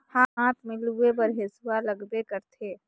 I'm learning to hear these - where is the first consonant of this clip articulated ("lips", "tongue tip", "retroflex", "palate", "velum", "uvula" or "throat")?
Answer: throat